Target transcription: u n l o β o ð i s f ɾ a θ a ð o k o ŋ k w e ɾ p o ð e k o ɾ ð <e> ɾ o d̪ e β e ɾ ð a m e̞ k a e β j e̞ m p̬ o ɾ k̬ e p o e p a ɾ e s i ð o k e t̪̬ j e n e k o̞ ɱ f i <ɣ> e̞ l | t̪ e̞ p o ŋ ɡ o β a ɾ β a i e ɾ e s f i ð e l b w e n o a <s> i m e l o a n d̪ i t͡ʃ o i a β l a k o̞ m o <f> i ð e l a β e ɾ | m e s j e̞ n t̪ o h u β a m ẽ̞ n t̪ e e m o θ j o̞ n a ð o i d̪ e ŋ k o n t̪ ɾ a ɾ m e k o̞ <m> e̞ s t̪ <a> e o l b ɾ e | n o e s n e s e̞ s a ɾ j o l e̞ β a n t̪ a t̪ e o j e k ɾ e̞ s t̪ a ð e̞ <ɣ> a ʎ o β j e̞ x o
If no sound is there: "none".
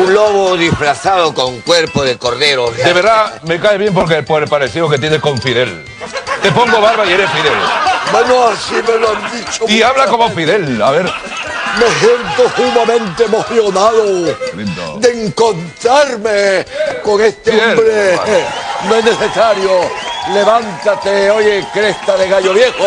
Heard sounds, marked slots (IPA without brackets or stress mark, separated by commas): e, ð, s, f, ŋ, e, ɣ